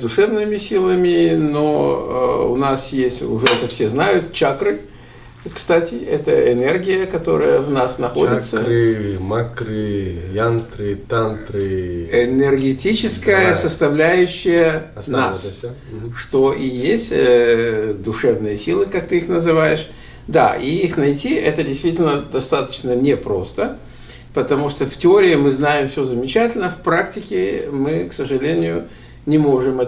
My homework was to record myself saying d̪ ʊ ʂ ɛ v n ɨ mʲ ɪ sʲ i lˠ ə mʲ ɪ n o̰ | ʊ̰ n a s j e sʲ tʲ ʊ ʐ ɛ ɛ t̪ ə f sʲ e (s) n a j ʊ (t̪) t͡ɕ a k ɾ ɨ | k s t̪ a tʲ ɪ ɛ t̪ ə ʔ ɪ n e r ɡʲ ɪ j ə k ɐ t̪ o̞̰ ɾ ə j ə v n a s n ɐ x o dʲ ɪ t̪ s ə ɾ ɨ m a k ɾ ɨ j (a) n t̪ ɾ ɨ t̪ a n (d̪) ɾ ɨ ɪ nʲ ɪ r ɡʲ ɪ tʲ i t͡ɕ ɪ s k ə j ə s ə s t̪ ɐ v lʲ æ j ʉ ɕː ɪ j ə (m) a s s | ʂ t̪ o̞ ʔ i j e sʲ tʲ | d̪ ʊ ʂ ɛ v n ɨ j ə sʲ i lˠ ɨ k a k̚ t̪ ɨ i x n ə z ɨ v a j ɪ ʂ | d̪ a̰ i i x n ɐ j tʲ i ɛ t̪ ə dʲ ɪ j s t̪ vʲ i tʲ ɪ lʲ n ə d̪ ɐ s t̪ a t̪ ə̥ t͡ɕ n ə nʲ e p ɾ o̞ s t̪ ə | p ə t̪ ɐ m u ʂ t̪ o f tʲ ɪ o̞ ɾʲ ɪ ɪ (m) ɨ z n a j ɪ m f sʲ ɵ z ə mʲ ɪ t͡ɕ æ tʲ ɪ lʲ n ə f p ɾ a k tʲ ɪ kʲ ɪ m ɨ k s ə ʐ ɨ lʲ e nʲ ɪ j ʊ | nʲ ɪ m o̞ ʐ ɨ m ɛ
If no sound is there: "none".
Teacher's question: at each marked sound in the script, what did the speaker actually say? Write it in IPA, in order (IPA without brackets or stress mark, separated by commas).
z, t̪, a, t̪, n, m